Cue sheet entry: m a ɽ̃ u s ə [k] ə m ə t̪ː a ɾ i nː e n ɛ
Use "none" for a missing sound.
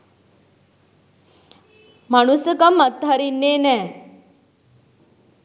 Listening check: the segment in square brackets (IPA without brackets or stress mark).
k